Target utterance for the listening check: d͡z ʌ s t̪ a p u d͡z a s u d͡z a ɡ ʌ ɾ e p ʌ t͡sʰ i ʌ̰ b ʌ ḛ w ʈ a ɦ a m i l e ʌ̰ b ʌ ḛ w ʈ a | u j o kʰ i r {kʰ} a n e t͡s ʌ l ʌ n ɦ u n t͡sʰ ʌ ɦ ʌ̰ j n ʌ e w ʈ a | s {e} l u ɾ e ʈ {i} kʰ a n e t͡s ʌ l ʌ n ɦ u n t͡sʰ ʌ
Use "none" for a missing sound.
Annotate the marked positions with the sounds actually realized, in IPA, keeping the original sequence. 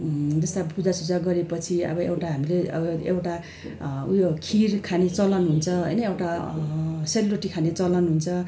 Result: kʰ, e, i

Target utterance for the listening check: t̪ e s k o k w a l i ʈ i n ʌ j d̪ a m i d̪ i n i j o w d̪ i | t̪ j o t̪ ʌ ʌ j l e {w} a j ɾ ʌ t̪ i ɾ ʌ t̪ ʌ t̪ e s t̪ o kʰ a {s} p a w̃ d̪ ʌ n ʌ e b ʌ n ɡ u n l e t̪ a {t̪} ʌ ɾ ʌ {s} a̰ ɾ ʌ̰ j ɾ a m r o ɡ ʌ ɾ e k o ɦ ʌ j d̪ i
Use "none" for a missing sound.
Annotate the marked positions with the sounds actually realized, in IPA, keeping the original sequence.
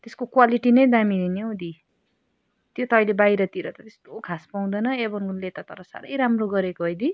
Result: b, s, t̪, s

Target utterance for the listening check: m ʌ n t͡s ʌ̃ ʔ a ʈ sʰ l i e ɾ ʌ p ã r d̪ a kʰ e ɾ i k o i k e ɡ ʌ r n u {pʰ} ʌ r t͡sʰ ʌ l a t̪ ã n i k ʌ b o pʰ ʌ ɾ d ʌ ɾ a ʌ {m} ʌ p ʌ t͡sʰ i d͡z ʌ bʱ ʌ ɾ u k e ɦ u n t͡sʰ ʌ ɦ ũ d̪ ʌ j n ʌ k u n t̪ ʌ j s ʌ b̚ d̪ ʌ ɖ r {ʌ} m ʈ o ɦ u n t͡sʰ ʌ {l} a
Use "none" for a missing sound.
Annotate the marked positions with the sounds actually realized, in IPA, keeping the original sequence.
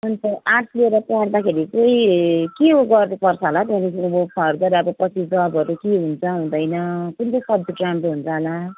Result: p, b, a, l

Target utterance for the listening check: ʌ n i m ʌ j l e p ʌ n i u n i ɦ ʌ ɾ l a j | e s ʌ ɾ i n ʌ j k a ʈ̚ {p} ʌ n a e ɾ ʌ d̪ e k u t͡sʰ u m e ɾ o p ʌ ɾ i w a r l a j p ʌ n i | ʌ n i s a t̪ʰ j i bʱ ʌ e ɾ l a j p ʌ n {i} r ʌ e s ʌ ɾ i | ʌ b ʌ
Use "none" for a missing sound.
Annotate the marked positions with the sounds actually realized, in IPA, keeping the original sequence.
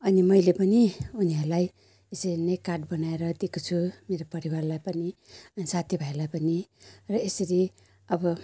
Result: b, i

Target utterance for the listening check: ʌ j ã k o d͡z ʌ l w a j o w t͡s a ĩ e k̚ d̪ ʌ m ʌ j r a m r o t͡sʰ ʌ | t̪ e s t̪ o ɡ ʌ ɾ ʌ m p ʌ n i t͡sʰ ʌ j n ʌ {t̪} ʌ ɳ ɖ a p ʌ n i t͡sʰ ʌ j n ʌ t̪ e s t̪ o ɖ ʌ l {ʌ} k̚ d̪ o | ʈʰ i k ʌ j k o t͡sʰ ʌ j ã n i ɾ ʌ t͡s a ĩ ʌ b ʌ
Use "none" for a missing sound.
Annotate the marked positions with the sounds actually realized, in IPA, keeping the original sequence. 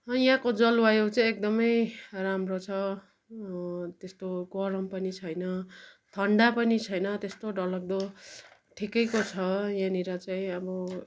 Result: t̪ʰ, ʌ

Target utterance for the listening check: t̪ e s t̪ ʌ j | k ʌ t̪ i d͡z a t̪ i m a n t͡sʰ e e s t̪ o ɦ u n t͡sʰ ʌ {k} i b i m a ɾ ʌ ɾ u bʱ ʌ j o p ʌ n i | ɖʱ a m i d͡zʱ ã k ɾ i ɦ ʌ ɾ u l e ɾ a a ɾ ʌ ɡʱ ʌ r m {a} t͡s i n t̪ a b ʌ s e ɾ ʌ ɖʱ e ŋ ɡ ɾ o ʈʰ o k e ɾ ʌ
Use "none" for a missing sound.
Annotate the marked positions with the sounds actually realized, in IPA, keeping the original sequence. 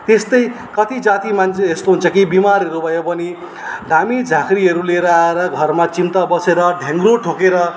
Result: k, a

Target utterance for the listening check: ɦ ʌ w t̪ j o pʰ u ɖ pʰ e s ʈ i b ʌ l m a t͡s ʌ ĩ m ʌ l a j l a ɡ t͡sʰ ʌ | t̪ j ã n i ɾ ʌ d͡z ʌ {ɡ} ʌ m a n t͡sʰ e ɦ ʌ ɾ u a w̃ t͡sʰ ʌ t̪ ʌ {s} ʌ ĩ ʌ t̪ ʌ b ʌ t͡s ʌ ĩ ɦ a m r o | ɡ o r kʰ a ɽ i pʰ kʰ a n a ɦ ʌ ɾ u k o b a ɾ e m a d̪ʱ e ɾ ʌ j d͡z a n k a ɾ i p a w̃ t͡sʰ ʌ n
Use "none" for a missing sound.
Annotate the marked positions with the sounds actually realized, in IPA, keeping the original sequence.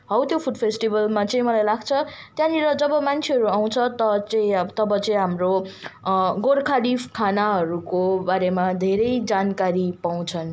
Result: b, t͡s

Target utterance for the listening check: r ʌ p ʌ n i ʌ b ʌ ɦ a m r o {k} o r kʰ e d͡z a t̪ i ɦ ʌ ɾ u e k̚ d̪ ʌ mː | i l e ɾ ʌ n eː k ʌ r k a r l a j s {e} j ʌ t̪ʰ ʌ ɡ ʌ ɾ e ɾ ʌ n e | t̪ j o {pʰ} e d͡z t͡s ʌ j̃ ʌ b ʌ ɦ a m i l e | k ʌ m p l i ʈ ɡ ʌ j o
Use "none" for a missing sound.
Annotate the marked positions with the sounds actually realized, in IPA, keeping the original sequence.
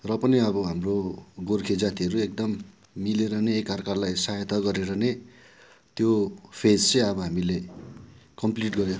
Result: ɡ, a, pʰ

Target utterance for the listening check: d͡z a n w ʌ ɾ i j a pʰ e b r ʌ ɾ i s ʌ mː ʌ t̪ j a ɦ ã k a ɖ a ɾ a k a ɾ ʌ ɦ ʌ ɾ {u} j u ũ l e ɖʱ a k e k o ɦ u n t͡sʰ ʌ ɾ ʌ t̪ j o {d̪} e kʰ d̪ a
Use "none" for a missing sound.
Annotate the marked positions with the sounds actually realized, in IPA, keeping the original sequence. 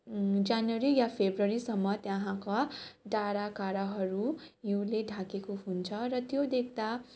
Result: u, d̪

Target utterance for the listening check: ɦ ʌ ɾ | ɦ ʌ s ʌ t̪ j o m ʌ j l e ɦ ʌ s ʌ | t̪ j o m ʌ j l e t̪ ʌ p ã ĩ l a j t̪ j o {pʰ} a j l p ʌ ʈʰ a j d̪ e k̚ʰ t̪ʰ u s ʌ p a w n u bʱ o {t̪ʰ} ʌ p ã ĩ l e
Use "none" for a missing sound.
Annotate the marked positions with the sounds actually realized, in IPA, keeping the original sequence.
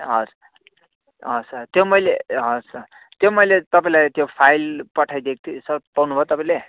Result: pʰ, t̪

